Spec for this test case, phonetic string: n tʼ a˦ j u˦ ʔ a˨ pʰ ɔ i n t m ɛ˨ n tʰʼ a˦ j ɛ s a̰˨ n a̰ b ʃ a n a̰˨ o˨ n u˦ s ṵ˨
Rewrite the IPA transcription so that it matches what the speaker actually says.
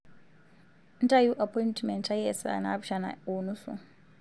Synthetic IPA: n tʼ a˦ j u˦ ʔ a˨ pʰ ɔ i n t m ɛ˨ n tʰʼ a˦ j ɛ s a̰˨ n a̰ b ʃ a n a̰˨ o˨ n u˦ s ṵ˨